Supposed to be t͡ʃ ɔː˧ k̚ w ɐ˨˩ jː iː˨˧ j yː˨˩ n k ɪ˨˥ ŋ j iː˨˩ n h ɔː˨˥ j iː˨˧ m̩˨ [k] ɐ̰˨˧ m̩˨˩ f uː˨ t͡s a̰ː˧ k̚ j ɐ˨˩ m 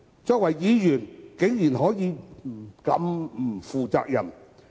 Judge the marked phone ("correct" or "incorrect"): correct